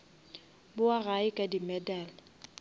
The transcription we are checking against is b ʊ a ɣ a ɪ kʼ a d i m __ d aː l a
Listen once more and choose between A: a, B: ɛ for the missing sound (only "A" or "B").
B